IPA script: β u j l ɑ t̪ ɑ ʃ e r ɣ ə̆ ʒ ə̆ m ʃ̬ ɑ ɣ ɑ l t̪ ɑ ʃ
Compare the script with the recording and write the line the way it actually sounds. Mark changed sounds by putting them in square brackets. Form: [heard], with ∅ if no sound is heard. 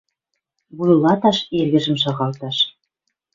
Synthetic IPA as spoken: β u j l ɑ t̪ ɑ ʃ e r ɣ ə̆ ʒ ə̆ m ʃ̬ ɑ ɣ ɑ l t̪ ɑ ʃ